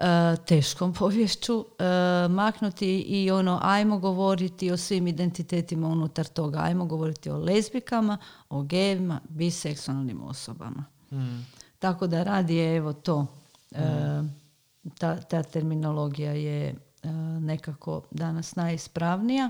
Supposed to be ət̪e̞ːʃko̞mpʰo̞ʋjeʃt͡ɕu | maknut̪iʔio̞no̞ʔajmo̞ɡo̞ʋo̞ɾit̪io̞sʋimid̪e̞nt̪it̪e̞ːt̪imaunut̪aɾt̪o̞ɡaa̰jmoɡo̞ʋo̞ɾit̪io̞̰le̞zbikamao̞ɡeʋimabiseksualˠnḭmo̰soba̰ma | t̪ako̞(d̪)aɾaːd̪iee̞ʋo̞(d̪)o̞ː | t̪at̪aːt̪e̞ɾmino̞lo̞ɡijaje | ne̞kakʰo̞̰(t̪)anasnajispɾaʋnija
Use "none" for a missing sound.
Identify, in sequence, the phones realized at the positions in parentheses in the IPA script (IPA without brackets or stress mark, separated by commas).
d̪, t̪, d̪